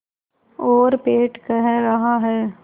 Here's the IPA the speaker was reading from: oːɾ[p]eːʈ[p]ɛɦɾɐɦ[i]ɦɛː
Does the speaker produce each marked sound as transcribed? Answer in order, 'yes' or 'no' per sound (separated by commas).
yes, no, no